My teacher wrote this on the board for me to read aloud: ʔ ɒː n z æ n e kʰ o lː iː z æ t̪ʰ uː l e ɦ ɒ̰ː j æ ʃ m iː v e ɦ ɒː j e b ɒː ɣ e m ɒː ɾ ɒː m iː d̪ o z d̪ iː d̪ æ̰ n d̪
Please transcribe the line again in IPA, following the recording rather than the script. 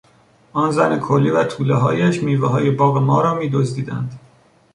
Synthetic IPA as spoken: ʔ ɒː n z æ n e kʰ o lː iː v æ t̪ʰ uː l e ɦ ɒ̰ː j æ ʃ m iː v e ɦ ɒː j e b ɒː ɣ e m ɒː ɾ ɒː m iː d̪ o z d̪ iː d̪ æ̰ n d̪